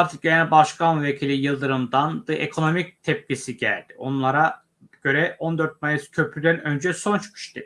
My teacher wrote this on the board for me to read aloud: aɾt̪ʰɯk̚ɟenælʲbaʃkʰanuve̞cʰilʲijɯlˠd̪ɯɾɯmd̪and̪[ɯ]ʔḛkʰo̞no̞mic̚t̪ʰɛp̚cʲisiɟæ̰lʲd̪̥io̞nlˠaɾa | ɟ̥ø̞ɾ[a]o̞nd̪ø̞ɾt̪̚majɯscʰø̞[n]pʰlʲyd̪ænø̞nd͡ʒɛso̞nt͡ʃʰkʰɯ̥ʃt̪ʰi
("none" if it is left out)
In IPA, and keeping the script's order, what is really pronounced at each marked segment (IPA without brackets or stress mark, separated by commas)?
ɯ, ɛ, none